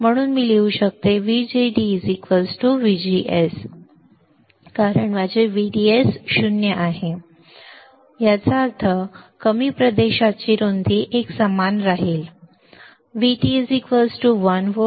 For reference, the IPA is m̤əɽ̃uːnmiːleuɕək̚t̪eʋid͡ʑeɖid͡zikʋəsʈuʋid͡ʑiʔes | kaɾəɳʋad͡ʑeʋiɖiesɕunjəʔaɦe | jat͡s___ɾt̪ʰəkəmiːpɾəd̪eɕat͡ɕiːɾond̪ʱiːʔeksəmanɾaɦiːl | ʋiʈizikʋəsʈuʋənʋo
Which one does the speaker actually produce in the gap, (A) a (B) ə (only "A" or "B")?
A